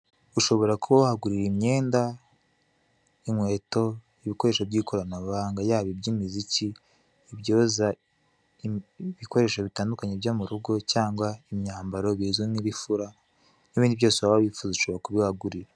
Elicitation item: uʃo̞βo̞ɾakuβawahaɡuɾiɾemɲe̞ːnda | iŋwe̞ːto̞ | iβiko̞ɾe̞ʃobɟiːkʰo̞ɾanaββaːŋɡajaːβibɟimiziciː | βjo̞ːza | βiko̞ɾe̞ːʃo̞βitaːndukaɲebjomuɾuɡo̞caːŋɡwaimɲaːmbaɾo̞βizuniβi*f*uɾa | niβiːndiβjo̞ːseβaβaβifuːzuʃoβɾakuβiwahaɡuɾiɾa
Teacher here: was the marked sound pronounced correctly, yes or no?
yes